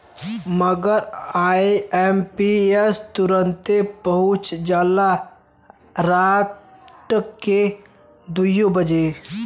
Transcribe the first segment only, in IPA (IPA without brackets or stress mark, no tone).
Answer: m